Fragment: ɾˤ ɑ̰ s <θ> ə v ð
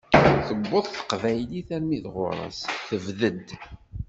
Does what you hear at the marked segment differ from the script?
no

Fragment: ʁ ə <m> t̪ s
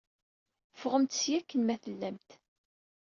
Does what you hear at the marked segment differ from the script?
no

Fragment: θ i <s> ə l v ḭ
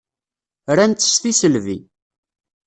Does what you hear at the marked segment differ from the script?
no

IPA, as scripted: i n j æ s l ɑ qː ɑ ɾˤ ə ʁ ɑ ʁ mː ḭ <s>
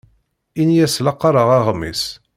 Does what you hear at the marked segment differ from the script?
no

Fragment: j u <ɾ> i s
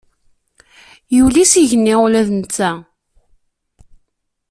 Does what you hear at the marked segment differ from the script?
yes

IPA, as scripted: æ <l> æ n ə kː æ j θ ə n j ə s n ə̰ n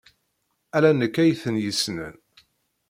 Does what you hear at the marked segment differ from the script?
no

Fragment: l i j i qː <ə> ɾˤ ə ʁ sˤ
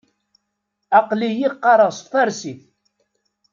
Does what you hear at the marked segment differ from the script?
yes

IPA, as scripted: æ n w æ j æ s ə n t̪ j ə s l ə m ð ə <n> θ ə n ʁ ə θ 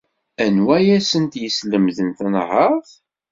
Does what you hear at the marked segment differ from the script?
no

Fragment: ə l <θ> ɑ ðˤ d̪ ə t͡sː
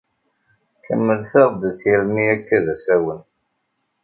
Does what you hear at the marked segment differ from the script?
no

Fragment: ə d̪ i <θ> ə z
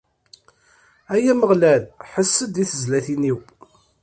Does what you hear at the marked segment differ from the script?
no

